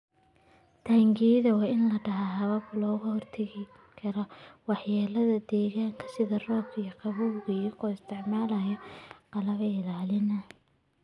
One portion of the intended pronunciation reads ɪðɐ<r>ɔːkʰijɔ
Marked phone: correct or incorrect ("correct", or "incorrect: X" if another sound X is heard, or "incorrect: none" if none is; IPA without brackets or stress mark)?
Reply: correct